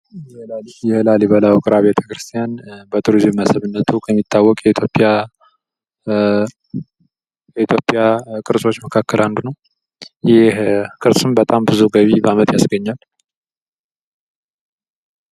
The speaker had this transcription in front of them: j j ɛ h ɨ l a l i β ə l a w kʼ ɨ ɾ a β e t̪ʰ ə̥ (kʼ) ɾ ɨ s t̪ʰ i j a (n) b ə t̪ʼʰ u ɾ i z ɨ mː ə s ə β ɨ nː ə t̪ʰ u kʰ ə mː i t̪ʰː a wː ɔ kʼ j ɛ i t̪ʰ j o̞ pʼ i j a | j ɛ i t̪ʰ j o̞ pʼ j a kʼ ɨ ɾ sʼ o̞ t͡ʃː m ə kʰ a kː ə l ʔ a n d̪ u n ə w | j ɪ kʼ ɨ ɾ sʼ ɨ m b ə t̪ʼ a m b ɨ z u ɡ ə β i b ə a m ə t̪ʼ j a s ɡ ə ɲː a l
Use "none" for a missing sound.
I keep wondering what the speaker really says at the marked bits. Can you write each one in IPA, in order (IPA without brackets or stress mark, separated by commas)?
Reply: k, n